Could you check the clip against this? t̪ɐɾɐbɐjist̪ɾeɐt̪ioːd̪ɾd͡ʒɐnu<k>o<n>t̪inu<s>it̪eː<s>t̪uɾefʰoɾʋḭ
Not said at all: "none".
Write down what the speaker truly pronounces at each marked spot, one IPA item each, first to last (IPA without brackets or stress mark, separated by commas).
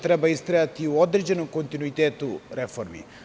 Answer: k, n, none, none